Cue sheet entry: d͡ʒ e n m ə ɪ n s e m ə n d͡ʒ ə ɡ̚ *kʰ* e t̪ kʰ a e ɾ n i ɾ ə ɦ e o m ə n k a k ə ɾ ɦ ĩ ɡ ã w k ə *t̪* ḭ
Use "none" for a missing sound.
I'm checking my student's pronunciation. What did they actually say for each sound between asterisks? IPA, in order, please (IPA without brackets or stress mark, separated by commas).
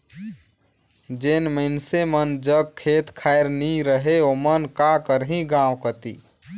kʰ, t̪